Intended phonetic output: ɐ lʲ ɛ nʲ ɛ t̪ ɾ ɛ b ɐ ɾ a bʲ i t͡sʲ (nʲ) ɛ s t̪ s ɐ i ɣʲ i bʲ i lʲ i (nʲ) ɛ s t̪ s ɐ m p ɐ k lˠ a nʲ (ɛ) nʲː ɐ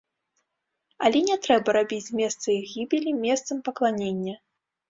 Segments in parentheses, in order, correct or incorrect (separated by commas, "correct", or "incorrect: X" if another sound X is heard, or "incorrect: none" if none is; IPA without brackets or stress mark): incorrect: mʲ, incorrect: mʲ, incorrect: e